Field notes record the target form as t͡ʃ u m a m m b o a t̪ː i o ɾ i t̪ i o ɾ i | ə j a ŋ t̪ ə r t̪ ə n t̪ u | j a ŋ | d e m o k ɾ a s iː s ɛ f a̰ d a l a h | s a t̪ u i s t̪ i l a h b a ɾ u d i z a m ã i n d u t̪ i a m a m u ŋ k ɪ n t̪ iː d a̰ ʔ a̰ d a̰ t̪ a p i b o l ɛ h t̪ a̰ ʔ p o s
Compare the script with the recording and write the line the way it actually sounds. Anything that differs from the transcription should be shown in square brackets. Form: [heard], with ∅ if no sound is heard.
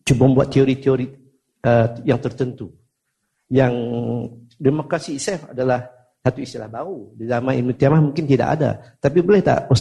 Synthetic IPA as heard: t͡ʃ u [b] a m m b [u] a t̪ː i o ɾ i t̪ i o ɾ i | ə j a ŋ t̪ ə r t̪ ə n t̪ u | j a ŋ | d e m o k ɾ a s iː s ɛ f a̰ d a l a h | s a t̪ u i s t̪ i l a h b a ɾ u d i z a m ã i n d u t̪ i a m a m u ŋ k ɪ n t̪ [i] d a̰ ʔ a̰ d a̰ t̪ a p i b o l ɛ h t̪ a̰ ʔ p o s